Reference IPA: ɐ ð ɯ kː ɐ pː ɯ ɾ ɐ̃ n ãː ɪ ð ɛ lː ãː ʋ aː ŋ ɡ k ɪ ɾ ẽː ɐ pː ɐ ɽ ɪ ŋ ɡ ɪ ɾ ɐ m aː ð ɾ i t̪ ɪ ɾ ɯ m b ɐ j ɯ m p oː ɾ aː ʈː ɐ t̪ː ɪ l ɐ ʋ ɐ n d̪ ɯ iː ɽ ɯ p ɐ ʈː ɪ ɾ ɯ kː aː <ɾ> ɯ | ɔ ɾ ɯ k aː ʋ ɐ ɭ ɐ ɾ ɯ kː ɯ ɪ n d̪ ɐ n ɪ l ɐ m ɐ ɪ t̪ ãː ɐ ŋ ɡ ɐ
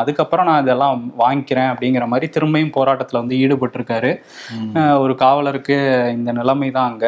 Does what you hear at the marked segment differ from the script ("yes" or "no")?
no